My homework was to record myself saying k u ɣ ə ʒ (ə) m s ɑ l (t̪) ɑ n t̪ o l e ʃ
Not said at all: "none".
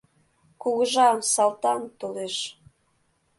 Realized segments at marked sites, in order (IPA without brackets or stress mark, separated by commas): ɑ, t̪